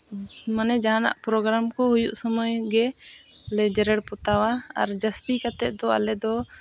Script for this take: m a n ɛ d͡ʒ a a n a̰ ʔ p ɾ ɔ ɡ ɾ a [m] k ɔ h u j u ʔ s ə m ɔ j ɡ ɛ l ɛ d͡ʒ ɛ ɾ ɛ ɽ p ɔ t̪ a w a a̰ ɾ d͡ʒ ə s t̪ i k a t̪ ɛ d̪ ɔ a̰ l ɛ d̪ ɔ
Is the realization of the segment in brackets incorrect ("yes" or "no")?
no